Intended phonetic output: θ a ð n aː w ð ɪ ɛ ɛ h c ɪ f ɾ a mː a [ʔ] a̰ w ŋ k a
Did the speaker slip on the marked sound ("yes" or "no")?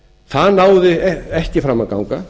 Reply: yes